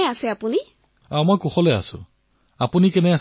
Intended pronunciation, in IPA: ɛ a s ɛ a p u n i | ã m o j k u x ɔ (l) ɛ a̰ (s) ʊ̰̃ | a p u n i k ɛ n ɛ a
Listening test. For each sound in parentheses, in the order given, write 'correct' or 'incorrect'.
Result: correct, correct

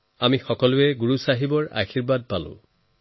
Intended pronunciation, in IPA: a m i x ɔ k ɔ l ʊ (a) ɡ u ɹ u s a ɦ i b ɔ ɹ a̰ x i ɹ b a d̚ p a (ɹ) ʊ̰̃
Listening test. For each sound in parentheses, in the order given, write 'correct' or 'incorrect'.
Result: incorrect: ɛ, incorrect: l

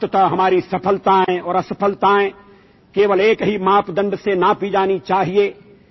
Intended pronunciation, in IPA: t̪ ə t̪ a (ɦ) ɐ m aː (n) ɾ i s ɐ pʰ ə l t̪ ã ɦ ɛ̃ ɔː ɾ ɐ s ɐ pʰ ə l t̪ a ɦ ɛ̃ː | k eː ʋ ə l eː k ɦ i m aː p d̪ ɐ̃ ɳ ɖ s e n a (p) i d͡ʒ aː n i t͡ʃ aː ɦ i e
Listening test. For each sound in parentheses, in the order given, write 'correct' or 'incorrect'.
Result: correct, incorrect: none, correct

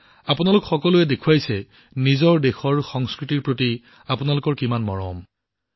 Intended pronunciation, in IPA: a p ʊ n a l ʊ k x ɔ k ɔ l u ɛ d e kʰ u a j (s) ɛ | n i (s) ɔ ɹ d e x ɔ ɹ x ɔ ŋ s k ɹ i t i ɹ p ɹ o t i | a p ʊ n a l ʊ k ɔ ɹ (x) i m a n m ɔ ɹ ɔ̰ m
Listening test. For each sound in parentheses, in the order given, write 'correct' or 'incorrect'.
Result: correct, incorrect: z, incorrect: k

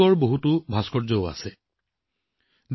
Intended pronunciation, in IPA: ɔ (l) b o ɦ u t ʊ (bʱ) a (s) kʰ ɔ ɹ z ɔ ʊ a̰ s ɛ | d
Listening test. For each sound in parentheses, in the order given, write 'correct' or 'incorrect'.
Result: incorrect: ɹ, correct, correct

